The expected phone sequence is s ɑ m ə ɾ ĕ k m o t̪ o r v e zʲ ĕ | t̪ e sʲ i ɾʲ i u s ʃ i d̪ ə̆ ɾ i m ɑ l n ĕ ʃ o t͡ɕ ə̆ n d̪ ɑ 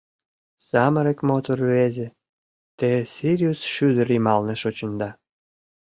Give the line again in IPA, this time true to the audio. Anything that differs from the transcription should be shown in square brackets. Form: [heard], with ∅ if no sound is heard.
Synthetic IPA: s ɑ m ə ɾ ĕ k m o t̪ o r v e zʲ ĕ | t̪ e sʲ i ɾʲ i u s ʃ [y] d̪ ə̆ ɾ i m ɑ l n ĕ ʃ o t͡ɕ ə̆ n d̪ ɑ